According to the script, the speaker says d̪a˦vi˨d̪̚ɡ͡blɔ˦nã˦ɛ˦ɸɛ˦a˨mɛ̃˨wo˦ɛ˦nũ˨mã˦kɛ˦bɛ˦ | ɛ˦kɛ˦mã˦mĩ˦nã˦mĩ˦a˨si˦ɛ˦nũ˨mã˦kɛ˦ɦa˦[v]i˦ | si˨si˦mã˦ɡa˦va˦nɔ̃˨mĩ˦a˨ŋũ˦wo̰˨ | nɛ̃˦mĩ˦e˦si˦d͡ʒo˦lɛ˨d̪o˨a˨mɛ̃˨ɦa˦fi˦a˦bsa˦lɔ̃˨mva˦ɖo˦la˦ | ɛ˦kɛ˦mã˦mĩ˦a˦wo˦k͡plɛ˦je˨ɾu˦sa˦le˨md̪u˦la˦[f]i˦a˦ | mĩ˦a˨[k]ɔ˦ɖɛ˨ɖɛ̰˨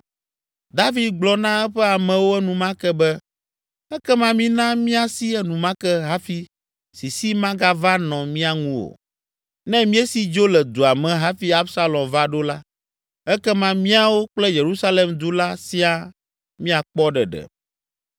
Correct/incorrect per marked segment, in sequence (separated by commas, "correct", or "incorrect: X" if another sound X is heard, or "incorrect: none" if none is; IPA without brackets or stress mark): incorrect: f, incorrect: s, incorrect: k͡p